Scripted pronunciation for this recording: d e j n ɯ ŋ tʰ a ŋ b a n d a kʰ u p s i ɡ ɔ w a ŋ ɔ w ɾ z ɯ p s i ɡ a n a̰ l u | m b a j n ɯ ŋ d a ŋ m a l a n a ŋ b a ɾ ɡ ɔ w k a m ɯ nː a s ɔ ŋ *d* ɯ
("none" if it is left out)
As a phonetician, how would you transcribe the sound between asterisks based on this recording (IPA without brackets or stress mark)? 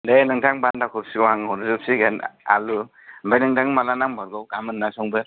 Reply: b